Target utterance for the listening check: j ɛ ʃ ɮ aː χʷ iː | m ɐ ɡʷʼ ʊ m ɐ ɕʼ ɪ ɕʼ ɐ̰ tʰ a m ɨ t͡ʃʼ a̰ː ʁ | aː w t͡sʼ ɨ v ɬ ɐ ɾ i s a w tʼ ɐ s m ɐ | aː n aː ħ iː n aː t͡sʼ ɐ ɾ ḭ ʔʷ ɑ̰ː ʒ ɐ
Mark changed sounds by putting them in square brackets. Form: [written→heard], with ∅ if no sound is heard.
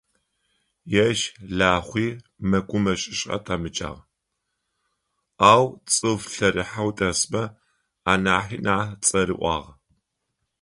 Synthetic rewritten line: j ɛ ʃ ɮ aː χʷ iː | m ɐ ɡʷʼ ʊ m ɐ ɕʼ ɪ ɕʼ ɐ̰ tʰ a m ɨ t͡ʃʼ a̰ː ʁ | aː w t͡sʼ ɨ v ɬ ɐ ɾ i [s→ħ] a w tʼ ɐ s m ɐ | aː n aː ħ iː n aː t͡sʼ ɐ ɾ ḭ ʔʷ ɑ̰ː [ʒ→ʁ] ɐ